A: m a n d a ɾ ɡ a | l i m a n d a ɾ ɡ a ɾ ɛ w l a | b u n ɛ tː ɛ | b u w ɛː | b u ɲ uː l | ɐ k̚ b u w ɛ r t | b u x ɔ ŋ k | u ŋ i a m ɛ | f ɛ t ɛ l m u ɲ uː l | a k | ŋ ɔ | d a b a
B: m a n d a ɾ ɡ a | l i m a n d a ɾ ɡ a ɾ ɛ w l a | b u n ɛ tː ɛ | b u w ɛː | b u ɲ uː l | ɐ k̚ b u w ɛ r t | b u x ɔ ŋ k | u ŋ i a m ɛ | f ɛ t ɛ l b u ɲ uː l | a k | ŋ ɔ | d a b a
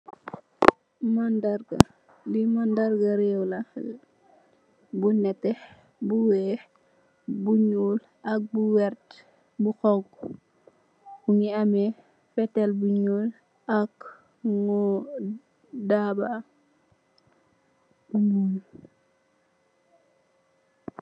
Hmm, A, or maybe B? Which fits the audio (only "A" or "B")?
B